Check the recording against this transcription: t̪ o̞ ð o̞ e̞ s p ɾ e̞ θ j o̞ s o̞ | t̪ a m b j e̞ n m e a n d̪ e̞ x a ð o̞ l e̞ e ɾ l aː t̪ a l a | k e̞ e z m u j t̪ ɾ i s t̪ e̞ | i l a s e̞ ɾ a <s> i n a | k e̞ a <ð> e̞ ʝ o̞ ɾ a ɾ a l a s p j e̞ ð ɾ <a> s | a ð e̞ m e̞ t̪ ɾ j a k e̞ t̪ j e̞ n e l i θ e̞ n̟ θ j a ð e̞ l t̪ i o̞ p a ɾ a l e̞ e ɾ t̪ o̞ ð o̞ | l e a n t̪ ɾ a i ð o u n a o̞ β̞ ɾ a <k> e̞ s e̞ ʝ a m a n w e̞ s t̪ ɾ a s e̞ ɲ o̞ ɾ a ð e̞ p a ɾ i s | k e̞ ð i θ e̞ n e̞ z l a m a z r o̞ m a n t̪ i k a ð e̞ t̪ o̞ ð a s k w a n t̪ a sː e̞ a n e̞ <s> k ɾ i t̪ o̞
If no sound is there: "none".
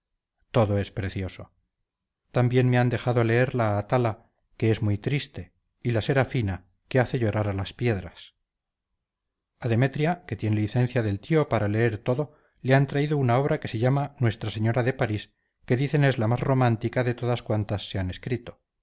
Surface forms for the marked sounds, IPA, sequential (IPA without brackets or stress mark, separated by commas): f, θ, a, k, s